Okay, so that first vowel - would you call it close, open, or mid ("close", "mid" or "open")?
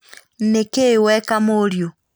mid